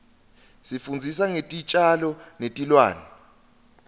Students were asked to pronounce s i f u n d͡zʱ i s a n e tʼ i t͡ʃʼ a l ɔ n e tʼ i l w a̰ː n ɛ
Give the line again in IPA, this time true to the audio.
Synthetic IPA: s i f u n d͡zʱ i s a ŋ e tʼ i t͡ʃʼ a l ɔ n e tʼ i l w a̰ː n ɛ